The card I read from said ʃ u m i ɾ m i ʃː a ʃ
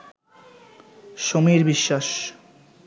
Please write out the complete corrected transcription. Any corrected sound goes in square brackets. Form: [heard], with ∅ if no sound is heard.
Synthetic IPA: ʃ [o] m i ɾ [b] i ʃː a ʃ